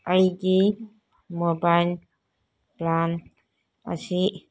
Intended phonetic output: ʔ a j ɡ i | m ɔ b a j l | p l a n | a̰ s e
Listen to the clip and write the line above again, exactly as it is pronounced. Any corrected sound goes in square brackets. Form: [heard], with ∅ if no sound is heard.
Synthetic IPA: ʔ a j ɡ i | m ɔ b a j l | p l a n | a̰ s [i]

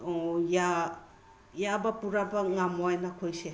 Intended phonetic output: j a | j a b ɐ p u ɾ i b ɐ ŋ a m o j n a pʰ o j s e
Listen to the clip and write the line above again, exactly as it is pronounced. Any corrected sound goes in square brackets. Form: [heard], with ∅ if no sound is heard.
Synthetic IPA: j a | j a b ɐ p u ɾ [a] b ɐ ŋ a m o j n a [kʰ] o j s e

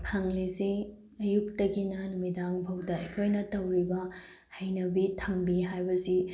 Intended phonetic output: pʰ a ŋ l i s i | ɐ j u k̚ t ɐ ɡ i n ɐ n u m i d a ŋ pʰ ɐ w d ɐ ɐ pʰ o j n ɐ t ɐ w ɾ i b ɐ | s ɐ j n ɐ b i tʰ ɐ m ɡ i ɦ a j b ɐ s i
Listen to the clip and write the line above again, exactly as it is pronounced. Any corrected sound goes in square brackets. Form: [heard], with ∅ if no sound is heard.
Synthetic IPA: pʰ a ŋ l i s i | ɐ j u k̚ t ɐ ɡ i n ɐ n u m i d a ŋ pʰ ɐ w d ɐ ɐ [kʰ] o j n ɐ t ɐ w ɾ i b ɐ | [h] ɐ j n ɐ b i tʰ ɐ m [b] i ɦ a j b ɐ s i

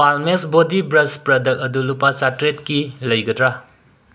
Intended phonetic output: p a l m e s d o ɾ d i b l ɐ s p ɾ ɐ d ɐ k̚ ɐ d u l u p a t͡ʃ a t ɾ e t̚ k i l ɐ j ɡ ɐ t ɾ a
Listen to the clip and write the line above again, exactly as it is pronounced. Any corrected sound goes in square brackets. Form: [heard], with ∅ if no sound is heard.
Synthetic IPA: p a l m e s [b] o [∅] d i b [ɾ] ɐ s p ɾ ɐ d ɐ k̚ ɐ d u l u p a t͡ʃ a t ɾ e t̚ k i l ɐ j ɡ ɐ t ɾ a

